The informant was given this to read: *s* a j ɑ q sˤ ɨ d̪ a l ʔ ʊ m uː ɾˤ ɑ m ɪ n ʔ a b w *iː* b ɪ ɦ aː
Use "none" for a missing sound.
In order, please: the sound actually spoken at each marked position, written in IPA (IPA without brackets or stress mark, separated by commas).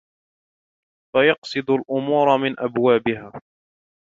f, aː